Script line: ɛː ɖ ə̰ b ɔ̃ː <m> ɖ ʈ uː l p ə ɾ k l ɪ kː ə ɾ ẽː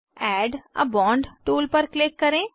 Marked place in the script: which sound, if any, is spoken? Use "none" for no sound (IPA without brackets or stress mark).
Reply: ɳ